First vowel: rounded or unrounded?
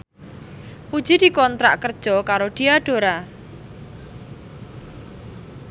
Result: rounded